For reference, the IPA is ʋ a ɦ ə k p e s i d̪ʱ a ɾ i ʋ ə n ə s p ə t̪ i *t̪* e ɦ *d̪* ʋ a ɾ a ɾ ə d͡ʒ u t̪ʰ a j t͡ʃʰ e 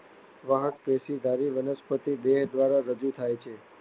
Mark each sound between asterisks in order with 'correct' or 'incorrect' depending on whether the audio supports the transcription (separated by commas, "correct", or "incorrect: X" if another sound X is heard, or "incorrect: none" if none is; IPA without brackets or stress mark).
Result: incorrect: d̪, correct